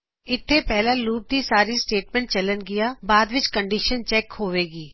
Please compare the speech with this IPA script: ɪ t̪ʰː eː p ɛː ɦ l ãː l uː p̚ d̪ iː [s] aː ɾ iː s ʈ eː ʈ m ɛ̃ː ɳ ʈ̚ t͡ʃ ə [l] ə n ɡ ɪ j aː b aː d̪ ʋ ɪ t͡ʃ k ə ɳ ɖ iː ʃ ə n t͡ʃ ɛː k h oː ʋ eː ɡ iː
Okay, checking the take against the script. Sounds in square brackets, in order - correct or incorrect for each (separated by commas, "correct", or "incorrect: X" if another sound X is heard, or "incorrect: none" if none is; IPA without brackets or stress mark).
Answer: correct, correct